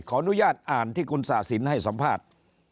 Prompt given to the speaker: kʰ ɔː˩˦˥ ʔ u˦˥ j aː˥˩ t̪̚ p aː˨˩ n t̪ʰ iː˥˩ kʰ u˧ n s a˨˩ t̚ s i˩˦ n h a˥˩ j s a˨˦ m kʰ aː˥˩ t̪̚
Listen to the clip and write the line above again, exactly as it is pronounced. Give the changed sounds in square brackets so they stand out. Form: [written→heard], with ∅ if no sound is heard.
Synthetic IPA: kʰ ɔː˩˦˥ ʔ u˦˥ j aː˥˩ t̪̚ [p→ʔ] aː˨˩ n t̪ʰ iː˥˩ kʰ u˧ n s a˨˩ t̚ s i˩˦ n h a˥˩ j s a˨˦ m [kʰ→pʰ] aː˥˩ t̪̚